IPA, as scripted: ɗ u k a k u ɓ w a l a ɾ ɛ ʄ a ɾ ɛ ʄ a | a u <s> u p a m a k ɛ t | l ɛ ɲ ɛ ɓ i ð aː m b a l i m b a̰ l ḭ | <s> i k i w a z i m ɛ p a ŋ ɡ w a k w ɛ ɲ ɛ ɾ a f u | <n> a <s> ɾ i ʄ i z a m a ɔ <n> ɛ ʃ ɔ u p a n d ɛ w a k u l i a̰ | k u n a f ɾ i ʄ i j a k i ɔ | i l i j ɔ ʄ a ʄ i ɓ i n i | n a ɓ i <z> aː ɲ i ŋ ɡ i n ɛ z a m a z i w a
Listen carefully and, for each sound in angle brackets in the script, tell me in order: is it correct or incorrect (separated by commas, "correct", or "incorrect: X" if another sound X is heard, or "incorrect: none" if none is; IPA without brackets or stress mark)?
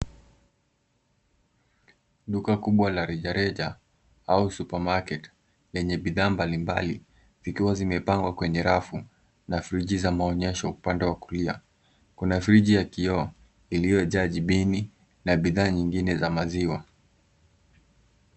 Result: correct, incorrect: z, correct, incorrect: f, incorrect: ɲ, incorrect: ð